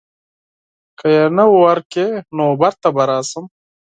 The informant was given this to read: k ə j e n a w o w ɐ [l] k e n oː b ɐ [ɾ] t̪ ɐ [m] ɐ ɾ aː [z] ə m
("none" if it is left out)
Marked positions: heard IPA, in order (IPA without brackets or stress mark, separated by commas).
ɾ, ɾ, b, s